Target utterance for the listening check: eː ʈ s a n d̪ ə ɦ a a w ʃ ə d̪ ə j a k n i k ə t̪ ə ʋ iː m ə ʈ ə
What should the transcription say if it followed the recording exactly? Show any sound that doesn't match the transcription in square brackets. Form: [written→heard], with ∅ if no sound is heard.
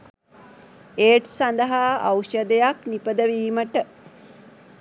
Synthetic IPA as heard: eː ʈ s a n d̪ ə ɦ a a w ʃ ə d̪ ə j a k n i [k→p] ə [t̪→d̪] ə ʋ iː m ə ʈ ə